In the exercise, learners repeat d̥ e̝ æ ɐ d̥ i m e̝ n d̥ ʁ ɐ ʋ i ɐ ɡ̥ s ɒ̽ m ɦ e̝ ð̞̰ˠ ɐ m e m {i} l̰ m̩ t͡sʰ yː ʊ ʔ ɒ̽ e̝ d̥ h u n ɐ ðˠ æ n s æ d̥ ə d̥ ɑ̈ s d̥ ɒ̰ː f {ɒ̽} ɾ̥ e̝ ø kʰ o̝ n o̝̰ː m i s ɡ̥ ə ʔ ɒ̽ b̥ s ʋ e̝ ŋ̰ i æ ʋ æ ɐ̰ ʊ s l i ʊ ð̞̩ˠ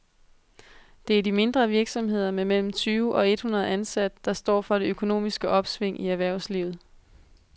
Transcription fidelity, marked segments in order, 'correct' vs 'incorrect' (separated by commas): incorrect, correct